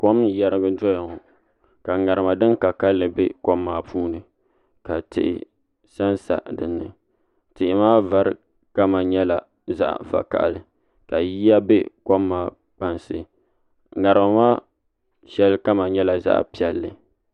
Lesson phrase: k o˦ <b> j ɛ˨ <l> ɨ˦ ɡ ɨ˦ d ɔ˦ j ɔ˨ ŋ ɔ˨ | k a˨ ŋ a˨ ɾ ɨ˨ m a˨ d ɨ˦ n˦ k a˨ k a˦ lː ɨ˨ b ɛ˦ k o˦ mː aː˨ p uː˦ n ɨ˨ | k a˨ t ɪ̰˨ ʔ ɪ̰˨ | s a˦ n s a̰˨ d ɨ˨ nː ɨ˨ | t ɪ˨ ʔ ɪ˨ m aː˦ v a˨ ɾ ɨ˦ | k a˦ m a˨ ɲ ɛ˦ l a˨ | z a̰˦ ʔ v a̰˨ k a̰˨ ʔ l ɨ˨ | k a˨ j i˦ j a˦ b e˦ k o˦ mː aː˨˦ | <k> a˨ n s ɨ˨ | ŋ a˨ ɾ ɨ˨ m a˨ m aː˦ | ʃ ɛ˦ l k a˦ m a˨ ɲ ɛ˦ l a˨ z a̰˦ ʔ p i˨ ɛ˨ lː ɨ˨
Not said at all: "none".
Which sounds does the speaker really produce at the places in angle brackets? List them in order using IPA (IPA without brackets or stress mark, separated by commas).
m, ɾ, k͡p